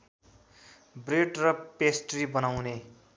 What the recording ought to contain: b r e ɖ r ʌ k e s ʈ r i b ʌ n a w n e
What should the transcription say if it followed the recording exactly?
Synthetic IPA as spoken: b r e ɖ r ʌ p e s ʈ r i b ʌ n a w n e

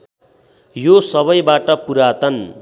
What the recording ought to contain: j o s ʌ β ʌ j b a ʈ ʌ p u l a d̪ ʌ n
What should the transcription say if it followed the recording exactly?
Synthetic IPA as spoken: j o s ʌ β ʌ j b a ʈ ʌ p u ɾ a t̪ ʌ n

